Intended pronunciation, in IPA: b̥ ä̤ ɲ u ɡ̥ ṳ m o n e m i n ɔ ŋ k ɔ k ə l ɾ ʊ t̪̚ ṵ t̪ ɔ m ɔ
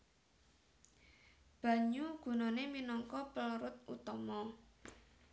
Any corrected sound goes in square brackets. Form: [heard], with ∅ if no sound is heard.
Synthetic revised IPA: b̥ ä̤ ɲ u ɡ̥ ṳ [n] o n e m i n ɔ ŋ k ɔ [p] ə l ɾ ʊ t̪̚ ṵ t̪ ɔ m ɔ